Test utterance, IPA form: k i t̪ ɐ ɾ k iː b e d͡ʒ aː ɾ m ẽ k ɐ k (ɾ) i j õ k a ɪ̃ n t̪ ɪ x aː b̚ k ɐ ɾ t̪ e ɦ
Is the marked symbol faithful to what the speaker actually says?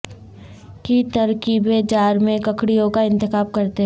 no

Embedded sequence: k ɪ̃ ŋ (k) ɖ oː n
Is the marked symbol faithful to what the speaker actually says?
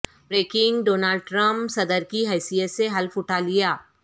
no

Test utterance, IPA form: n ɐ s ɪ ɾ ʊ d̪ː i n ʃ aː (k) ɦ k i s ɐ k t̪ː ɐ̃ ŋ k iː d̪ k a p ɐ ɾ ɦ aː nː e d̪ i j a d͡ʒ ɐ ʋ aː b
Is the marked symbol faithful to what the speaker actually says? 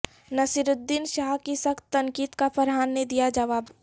no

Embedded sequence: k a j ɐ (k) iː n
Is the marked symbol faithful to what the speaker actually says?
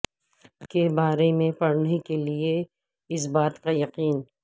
no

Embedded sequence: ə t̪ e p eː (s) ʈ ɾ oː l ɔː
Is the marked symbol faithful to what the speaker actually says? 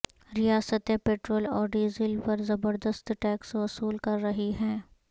no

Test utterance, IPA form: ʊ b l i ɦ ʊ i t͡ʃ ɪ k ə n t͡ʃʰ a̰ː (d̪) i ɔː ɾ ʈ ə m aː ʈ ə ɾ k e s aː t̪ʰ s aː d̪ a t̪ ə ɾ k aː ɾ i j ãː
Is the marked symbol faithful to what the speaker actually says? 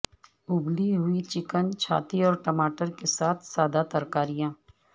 no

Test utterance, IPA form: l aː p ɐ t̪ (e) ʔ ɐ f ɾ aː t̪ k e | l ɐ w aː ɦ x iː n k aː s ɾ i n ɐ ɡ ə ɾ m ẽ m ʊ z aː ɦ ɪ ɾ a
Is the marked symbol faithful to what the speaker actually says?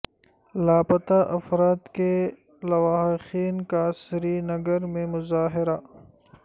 no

